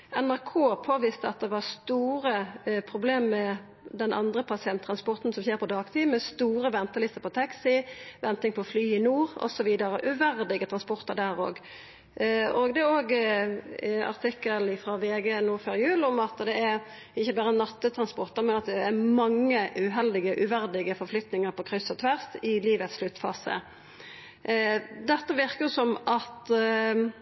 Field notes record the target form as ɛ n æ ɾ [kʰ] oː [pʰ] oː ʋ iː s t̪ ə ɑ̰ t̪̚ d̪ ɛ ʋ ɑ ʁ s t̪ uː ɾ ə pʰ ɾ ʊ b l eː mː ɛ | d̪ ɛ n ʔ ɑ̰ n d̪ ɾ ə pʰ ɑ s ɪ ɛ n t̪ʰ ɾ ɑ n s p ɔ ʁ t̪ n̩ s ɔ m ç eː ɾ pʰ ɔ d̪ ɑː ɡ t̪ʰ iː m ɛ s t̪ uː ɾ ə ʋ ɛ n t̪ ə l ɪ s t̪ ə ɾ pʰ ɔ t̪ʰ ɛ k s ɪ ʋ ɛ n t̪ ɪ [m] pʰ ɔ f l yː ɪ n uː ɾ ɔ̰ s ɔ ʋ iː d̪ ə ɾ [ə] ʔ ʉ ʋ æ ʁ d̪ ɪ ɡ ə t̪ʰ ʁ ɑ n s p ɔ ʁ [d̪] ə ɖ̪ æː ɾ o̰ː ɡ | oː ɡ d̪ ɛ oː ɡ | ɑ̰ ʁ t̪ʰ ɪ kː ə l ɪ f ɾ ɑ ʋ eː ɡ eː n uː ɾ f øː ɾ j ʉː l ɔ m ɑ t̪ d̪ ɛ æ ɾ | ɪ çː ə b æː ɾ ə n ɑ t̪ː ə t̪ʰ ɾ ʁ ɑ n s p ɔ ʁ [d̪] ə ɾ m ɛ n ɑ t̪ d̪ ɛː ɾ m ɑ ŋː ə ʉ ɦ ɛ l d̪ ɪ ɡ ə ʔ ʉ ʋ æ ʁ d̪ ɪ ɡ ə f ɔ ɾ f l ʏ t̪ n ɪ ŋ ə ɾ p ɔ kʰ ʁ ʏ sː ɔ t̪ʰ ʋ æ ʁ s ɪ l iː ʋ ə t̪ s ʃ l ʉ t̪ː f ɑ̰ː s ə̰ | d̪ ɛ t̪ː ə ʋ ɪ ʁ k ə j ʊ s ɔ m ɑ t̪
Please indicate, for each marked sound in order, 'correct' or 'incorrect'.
correct, correct, incorrect: ŋ, correct, incorrect: t̪, incorrect: t̪

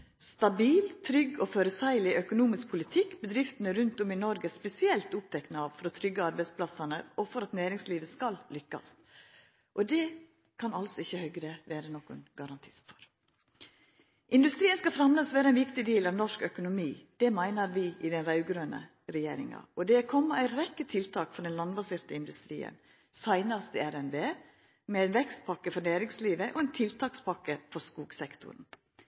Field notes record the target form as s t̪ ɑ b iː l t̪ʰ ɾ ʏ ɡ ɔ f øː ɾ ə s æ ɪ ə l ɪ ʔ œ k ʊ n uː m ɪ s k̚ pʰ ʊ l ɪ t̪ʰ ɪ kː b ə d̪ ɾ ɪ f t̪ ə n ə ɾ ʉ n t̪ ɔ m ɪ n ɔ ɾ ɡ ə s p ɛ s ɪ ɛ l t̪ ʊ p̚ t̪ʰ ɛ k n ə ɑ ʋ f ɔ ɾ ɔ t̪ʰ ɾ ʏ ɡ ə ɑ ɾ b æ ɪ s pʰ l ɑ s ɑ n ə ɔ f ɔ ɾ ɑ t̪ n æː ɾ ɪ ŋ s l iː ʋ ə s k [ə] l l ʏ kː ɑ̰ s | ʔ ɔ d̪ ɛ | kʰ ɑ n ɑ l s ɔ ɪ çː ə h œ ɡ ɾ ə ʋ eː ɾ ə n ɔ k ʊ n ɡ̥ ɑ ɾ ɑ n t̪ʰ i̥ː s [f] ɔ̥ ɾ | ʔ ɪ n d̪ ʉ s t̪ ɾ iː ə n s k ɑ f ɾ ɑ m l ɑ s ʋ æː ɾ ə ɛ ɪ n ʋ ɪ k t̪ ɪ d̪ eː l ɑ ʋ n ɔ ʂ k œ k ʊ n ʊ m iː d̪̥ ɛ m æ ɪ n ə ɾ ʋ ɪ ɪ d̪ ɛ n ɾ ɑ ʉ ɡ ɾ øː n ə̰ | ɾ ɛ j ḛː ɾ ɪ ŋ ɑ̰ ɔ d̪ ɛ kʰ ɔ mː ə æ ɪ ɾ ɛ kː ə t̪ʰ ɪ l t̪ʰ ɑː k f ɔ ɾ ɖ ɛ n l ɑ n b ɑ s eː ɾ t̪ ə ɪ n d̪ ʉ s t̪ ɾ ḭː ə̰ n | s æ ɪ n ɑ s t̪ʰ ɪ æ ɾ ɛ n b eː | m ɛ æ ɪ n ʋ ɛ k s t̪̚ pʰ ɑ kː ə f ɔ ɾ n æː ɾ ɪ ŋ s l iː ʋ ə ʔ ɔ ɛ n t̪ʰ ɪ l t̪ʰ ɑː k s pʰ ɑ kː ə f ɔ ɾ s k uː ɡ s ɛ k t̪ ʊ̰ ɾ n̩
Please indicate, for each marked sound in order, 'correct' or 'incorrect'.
incorrect: ɑ, correct

